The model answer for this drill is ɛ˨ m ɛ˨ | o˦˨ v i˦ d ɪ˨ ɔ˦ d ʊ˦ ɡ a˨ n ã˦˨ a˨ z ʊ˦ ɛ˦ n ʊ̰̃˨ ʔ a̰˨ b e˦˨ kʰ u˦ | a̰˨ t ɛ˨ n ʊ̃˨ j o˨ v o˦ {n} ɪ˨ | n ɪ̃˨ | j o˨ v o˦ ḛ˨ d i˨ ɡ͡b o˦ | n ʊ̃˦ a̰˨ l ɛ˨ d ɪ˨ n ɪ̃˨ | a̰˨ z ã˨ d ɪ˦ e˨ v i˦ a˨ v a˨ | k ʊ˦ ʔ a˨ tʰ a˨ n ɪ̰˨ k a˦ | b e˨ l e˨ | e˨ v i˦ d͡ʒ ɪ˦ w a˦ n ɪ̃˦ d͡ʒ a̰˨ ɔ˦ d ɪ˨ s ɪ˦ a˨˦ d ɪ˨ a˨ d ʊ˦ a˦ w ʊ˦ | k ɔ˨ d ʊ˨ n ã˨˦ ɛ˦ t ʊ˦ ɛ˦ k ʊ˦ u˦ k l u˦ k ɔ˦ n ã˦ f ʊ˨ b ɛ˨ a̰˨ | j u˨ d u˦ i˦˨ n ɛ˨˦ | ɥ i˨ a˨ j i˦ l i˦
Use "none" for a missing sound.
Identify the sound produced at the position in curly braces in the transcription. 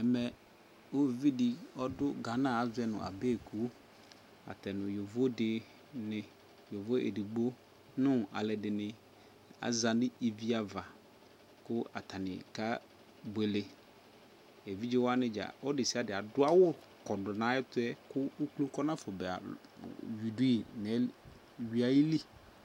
d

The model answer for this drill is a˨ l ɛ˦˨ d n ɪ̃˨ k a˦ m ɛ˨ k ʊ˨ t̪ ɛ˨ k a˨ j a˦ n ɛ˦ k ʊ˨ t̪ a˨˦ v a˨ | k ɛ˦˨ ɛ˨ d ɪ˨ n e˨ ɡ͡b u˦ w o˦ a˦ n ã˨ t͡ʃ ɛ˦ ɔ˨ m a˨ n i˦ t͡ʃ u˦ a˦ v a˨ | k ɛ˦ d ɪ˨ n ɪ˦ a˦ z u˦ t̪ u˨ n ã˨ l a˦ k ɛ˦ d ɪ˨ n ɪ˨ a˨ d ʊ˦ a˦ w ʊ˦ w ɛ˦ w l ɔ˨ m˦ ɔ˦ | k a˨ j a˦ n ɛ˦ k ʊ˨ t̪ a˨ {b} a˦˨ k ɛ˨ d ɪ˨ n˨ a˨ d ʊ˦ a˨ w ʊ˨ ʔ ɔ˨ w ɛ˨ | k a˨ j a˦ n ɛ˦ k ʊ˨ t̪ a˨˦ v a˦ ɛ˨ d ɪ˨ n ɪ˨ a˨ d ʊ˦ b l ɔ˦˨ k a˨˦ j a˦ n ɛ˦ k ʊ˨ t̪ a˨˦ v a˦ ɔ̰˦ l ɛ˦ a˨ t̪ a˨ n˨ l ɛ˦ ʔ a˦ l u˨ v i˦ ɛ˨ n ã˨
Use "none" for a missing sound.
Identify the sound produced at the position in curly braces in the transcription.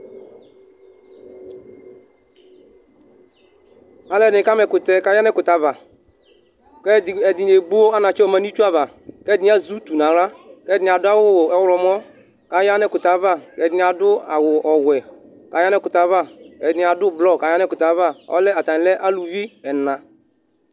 v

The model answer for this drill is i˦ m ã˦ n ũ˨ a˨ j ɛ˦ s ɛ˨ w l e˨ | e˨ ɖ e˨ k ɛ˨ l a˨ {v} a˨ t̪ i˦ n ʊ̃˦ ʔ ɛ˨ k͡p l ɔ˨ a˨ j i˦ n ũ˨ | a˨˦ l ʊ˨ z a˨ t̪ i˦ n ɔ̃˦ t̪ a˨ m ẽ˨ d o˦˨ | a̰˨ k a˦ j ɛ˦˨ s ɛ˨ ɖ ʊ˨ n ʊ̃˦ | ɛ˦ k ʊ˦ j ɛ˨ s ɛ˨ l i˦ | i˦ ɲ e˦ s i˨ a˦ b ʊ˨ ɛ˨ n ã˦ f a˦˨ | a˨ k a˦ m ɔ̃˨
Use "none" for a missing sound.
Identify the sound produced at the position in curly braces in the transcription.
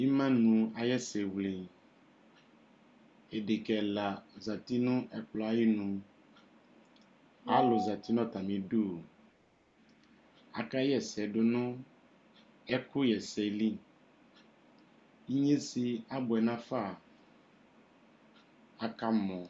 z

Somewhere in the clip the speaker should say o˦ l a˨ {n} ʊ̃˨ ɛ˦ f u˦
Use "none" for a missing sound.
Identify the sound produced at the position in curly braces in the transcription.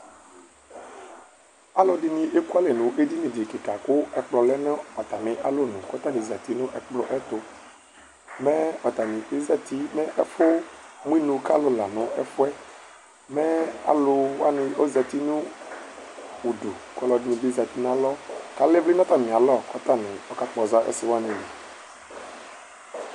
n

